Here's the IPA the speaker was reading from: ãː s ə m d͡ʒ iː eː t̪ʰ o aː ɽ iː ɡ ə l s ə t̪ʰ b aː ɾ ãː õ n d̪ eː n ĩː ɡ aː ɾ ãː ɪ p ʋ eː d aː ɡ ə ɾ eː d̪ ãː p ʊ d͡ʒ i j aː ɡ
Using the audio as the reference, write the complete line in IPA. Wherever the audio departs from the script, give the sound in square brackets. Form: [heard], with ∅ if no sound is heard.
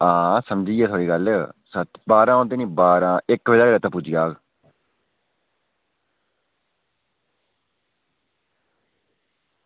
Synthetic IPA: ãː s ə m d͡ʒ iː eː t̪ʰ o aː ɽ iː ɡ ə l s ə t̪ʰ b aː ɾ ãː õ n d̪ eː n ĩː [b] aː ɾ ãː ɪ [k] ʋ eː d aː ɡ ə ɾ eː [t̪] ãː p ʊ d͡ʒ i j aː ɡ

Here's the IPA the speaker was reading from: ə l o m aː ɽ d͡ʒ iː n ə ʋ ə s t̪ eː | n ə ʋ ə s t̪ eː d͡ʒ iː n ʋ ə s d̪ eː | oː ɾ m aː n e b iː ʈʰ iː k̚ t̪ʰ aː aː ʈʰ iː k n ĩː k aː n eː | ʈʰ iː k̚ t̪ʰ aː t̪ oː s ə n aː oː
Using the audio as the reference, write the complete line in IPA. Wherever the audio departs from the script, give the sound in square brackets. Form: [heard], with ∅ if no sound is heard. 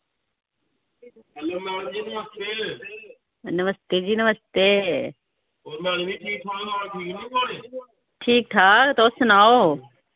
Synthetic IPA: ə l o m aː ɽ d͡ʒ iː n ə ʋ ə s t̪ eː | n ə ʋ ə s t̪ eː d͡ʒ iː n ʋ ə s [t̪] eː | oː ɾ m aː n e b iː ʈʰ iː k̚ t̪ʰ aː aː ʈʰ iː k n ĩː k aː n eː | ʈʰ iː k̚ t̪ʰ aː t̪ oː s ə n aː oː

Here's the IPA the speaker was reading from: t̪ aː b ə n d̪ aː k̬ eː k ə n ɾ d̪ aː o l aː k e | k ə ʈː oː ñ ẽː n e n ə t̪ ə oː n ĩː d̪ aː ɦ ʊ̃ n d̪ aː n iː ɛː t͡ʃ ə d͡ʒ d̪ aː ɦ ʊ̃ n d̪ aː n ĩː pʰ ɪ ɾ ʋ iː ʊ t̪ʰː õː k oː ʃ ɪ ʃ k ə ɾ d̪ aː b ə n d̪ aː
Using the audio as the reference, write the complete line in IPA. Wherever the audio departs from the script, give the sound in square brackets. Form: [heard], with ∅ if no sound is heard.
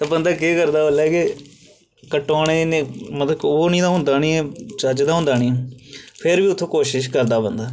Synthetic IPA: t̪ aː b ə n d̪ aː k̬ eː k ə [∅] ɾ d̪ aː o l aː k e | k ə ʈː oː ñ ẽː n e [m] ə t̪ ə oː n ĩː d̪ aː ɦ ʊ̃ n d̪ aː n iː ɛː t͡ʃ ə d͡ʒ d̪ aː ɦ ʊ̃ n d̪ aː n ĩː pʰ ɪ ɾ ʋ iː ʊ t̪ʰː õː k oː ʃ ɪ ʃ k ə ɾ d̪ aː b ə n d̪ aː

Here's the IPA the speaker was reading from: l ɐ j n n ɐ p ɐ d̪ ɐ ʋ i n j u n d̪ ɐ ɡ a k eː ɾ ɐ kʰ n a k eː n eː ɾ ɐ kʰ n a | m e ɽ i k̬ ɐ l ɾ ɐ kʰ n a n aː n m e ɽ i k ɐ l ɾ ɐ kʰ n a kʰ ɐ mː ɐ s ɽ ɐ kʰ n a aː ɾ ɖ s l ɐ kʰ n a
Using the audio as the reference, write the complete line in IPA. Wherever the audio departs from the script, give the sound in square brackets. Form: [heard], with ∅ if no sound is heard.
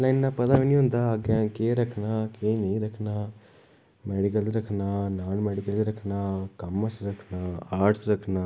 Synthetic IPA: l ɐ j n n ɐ p ɐ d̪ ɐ ʋ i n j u n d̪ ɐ ɡ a k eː ɾ ɐ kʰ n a k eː n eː ɾ ɐ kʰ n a | m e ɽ i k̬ ɐ l ɾ ɐ kʰ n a n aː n m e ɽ i k ɐ l ɾ ɐ kʰ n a [k] ɐ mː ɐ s [ɾ] ɐ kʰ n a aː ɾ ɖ s [ɾ] ɐ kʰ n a

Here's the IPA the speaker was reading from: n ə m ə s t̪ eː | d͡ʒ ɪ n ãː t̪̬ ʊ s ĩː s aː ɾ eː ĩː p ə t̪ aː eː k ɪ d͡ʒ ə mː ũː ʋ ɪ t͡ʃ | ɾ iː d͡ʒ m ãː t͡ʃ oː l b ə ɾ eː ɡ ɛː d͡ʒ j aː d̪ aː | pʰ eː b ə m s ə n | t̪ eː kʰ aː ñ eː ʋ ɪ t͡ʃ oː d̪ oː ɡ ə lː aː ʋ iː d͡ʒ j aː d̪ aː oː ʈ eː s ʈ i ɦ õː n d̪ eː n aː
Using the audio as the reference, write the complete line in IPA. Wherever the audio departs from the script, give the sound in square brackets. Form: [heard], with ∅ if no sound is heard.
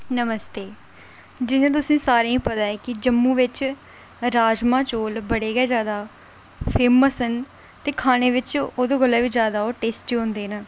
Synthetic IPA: n ə m ə s t̪ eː | d͡ʒ ɪ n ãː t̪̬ ʊ s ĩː s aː ɾ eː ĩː p ə t̪ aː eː k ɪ d͡ʒ ə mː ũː ʋ ɪ t͡ʃ | ɾ [aː] d͡ʒ m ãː t͡ʃ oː l b ə [ɽ] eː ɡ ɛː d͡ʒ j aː d̪ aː | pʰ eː [m] ə [∅] s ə n | t̪ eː kʰ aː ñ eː ʋ ɪ t͡ʃ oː d̪ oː ɡ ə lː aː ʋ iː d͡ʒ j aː d̪ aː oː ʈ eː s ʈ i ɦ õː n d̪ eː n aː

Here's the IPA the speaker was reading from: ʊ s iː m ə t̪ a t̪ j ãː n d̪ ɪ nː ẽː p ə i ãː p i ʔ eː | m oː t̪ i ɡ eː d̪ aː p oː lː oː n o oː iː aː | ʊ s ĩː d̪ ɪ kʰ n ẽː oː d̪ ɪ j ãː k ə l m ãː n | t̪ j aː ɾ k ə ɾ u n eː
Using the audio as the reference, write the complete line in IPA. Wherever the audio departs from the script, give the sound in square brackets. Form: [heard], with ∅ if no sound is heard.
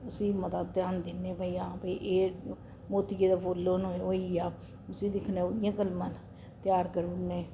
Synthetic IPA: ʊ s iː m ə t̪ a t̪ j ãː n d̪ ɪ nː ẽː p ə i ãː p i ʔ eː | m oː t̪ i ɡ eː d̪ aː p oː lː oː n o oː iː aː | ʊ s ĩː d̪ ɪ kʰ n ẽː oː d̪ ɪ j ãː k ə l m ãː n | t̪ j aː ɾ k ə ɾ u n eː

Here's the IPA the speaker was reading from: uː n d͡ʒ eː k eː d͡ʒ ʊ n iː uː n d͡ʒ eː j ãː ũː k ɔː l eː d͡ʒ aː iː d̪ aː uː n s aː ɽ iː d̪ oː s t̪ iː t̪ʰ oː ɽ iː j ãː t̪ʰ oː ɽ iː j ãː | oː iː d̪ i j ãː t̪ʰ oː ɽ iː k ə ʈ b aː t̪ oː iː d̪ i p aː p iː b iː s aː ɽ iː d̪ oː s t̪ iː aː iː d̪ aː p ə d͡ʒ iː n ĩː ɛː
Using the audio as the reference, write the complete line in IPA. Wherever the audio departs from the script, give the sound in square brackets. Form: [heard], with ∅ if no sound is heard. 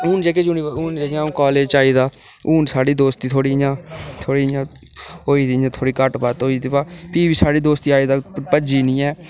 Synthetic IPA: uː n d͡ʒ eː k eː d͡ʒ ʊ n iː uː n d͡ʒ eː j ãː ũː k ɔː l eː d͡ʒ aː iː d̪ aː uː n s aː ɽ iː d̪ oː s t̪ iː t̪ʰ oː ɽ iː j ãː t̪ʰ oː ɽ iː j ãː | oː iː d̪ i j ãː t̪ʰ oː ɽ iː k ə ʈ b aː t̪ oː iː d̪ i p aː p iː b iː s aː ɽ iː d̪ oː s t̪ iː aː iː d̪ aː p ə d͡ʒ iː n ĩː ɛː

